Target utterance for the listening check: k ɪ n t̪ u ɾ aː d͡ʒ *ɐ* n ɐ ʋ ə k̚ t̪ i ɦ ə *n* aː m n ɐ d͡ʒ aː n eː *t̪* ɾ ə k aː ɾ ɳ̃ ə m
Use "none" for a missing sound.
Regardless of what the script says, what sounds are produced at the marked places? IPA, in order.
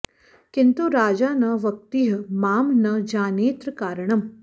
a, m, t̪

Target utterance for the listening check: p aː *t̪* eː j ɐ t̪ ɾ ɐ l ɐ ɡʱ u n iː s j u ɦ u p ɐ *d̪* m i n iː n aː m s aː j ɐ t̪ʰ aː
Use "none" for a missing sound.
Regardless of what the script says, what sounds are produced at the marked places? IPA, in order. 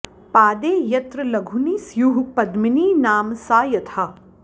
d̪, d̪

